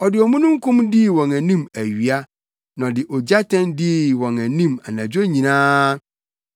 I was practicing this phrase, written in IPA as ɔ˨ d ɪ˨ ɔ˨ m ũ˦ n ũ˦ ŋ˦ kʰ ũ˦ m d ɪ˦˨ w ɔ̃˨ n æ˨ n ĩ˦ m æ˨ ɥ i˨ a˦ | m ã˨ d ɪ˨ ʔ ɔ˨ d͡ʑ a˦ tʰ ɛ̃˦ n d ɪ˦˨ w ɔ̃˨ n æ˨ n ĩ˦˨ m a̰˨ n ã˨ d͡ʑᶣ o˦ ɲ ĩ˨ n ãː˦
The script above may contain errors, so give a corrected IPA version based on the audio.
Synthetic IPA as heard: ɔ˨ d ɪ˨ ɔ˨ m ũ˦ n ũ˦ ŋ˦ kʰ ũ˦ m d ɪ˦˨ w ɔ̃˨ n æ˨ n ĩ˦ m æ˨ ɥ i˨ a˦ | n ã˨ d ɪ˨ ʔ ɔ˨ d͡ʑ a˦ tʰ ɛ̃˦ n d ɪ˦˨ w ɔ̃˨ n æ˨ n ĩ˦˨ m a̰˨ n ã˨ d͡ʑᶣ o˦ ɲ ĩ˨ n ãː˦